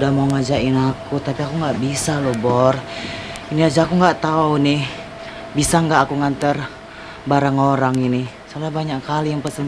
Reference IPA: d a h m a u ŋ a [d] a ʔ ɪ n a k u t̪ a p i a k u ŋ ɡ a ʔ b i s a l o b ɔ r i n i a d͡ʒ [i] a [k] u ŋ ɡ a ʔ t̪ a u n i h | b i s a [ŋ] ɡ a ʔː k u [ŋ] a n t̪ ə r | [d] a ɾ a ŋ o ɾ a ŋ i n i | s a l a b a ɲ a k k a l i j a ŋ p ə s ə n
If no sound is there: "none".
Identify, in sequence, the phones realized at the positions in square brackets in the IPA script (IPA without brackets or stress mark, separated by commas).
d͡ʒ, a, k, ŋ, ŋ, b